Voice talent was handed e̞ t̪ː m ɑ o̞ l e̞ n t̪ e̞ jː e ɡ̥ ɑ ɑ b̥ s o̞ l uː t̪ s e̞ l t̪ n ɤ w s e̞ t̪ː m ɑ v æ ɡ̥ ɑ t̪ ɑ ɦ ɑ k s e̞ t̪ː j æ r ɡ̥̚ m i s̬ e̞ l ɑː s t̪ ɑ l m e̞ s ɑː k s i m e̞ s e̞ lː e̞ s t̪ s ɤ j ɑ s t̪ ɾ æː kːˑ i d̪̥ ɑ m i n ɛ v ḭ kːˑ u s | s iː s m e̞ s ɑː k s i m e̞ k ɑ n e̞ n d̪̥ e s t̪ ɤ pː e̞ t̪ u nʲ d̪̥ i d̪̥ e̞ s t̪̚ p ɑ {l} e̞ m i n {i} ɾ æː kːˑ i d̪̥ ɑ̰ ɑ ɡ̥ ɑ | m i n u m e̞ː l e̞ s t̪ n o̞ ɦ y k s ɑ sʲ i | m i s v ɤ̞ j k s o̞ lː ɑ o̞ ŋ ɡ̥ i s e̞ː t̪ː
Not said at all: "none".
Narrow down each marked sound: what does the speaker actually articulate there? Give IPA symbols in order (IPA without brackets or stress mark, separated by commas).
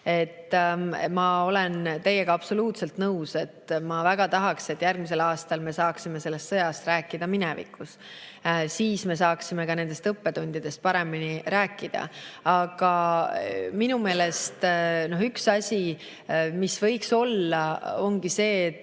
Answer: ɾ, i